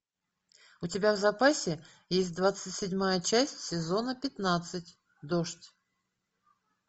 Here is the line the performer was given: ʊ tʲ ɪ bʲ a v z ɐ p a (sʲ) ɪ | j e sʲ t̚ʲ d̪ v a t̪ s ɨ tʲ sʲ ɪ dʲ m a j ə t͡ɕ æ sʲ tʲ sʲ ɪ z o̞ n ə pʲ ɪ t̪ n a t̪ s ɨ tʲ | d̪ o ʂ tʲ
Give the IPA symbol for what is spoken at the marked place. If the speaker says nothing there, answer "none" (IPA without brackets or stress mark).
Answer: sʲ